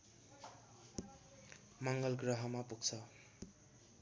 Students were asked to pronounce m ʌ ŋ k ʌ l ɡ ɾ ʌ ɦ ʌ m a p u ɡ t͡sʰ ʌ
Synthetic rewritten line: m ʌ ŋ ɡ ʌ l ɡ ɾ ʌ ɦ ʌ m a p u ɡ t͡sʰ ʌ